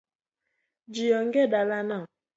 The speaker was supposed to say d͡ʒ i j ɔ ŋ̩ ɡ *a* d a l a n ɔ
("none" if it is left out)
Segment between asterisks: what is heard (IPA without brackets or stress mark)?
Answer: e